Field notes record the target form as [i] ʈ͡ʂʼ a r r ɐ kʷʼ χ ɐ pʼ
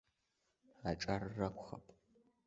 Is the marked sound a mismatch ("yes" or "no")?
yes